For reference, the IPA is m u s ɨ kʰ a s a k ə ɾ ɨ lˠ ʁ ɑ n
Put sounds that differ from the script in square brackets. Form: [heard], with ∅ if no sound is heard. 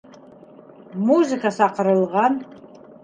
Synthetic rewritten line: m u [z] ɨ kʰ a s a [q] ə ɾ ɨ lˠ ʁ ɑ n